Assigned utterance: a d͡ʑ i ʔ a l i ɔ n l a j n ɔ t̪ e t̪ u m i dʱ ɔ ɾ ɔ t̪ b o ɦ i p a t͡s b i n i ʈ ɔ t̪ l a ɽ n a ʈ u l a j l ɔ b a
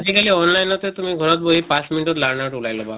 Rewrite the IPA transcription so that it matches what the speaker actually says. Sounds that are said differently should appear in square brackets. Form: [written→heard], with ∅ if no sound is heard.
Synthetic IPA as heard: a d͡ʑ i [ʔ→k] a l i ɔ n l a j n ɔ t̪ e t̪ u m i [dʱ→ɡʱ] ɔ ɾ ɔ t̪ b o ɦ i p a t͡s [b→m] i n i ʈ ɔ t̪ l a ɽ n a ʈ u l a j l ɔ b a

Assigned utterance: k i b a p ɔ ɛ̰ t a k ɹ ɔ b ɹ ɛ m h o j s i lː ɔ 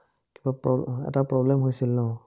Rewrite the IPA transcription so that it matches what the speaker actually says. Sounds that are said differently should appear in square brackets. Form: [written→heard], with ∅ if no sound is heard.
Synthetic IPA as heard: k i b a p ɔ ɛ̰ t a [k→p] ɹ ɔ b [ɹ→l] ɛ m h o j s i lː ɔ

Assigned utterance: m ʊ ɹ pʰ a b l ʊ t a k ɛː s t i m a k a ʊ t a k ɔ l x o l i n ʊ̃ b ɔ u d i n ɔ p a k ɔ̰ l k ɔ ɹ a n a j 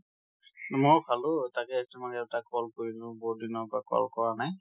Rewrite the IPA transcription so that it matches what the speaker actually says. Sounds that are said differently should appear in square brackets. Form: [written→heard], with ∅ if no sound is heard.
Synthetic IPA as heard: m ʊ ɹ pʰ a [b→∅] l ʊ t a k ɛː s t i m a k [a→ɛ] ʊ t a k ɔ l [x→k] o [l→ɹ] i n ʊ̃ b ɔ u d i n ɔ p a k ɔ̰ l k ɔ ɹ a n a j

